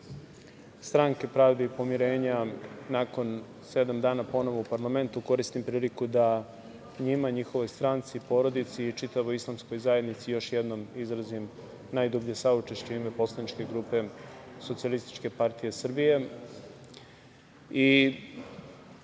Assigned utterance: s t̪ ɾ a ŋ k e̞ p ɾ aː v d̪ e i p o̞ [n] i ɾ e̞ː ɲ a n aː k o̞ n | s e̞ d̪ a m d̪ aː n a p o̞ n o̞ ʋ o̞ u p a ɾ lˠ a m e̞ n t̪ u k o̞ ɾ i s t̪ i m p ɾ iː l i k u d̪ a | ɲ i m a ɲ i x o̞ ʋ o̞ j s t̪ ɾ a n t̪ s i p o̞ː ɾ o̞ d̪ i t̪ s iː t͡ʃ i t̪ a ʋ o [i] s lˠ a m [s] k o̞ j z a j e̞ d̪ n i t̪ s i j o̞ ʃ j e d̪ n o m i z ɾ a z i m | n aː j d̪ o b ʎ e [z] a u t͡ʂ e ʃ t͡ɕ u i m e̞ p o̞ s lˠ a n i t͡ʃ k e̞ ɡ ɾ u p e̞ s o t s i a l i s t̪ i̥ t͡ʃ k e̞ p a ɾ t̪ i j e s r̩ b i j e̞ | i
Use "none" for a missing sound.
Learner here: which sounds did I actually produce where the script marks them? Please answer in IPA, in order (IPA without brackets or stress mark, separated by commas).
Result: m, i, s, s